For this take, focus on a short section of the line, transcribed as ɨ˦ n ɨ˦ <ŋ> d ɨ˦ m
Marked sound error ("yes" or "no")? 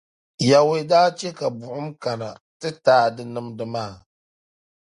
yes